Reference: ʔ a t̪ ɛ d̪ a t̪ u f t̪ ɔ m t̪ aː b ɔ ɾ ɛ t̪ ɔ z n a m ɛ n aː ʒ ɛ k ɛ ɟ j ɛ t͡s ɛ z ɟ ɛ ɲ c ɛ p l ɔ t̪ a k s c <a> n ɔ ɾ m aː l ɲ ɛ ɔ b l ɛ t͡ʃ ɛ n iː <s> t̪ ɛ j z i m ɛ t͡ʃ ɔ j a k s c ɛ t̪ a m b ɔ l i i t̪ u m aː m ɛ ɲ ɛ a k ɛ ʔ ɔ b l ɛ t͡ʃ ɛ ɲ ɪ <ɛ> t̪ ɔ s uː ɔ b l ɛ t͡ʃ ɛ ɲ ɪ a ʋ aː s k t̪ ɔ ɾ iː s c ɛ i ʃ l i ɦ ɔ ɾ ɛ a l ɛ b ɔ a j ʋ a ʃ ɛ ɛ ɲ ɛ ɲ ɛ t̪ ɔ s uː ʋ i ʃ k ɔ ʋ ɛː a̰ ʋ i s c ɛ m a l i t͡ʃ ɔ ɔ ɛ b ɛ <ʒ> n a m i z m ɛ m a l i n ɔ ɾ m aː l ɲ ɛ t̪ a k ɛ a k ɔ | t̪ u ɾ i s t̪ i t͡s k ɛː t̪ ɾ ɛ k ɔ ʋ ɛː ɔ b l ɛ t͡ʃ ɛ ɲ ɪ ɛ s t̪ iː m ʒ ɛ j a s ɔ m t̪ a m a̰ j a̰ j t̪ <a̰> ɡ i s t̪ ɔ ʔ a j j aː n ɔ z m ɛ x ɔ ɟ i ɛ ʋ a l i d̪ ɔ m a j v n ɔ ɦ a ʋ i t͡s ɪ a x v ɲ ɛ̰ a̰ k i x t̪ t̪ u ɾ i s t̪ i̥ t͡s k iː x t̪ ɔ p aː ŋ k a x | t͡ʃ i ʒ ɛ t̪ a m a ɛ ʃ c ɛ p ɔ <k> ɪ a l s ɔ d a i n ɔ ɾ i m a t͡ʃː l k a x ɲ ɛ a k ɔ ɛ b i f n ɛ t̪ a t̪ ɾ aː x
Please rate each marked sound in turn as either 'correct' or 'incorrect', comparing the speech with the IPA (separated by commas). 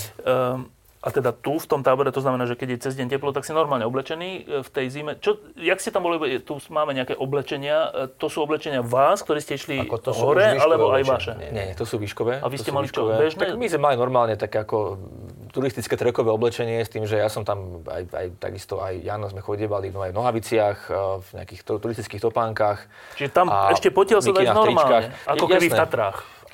incorrect, incorrect, incorrect, correct, correct, incorrect